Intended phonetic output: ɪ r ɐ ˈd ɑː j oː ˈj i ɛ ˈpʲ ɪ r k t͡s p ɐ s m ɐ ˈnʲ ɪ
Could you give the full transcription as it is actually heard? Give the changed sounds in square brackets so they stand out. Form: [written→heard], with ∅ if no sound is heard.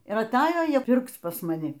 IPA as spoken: ɪ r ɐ [ˈd→ˈt] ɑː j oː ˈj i ɛ ˈpʲ ɪ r k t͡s p ɐ s m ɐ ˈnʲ ɪ